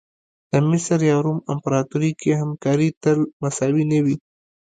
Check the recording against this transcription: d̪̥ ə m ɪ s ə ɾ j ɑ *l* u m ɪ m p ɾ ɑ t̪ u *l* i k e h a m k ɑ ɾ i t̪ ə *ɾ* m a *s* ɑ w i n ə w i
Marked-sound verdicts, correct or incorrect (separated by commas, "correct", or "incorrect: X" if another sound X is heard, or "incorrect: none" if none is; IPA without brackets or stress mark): incorrect: ɾ, incorrect: ɾ, incorrect: l, correct